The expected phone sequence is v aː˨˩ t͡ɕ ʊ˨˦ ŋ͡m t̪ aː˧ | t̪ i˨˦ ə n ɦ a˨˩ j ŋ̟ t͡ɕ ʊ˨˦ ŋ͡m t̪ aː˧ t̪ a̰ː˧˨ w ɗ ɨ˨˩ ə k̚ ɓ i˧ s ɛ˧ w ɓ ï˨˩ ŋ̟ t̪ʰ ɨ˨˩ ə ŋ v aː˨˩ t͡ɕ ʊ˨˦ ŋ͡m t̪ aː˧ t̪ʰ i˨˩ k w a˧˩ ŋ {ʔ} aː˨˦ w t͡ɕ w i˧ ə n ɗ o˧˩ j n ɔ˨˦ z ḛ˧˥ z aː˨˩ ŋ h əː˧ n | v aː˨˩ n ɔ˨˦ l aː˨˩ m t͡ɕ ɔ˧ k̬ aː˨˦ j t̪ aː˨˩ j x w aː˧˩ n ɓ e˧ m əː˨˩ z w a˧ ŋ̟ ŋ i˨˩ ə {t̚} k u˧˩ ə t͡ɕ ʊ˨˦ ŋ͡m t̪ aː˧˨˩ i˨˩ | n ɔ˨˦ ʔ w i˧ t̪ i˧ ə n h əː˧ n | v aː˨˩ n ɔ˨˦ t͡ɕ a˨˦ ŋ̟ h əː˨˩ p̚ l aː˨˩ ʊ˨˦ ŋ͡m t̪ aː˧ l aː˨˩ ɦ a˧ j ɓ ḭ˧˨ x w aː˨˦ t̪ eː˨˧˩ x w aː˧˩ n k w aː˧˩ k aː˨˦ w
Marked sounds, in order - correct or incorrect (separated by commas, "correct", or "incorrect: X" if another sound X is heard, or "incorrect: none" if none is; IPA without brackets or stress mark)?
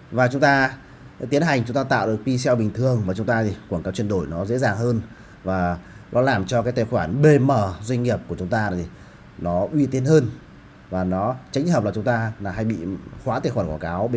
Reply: incorrect: k, incorrect: p̚